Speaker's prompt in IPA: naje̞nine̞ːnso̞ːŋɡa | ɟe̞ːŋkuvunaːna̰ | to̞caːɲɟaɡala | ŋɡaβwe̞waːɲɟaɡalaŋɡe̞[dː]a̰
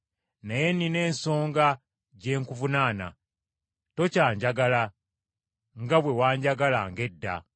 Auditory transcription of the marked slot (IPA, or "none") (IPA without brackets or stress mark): dː